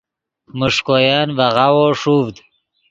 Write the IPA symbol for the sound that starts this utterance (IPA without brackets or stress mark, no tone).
m